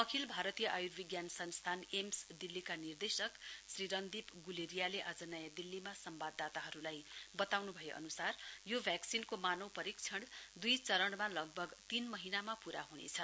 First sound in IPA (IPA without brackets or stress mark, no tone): ʌ